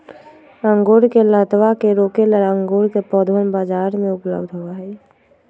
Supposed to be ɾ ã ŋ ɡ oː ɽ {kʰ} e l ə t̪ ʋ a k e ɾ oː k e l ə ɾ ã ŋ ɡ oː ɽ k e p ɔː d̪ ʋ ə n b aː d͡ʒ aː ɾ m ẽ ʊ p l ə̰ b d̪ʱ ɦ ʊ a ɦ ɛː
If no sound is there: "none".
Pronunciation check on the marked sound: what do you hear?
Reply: k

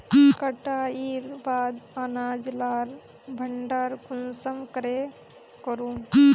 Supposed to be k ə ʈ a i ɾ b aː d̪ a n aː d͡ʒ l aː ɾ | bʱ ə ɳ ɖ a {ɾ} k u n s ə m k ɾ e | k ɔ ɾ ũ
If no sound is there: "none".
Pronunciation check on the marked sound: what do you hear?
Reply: ɾ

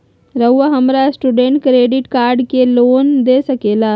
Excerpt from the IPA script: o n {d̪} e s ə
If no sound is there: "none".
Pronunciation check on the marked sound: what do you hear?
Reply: d̪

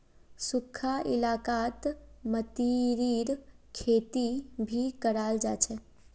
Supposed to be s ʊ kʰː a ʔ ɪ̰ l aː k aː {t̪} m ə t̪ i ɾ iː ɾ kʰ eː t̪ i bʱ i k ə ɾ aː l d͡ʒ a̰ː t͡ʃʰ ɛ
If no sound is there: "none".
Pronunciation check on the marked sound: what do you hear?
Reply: t̪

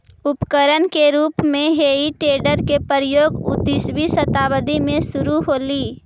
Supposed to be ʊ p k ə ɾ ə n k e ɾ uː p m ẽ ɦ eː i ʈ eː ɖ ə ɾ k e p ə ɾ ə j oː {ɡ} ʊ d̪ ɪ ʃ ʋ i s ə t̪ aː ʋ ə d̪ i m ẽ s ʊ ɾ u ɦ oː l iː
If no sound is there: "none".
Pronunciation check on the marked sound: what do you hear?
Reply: ɡ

